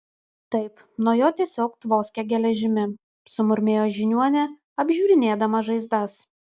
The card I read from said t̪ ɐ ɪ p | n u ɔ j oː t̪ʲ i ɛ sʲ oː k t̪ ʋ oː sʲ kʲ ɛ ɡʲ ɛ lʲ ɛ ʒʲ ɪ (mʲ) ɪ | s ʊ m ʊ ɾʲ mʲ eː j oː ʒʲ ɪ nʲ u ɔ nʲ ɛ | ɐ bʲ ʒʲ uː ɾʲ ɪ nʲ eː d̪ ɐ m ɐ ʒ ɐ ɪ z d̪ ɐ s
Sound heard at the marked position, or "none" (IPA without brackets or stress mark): mʲ